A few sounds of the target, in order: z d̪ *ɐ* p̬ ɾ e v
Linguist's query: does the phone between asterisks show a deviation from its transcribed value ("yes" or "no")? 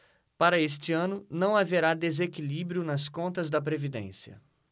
no